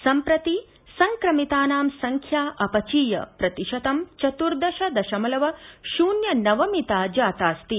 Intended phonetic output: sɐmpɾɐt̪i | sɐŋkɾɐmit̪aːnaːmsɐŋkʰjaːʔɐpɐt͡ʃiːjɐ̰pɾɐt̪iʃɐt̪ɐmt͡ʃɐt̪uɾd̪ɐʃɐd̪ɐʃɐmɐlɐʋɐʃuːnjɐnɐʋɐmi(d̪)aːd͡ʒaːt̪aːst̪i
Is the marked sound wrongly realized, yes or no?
yes